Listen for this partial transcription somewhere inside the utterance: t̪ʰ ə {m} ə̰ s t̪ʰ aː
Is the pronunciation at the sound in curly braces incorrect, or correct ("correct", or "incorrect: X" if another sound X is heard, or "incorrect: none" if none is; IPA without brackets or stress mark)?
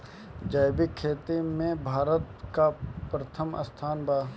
correct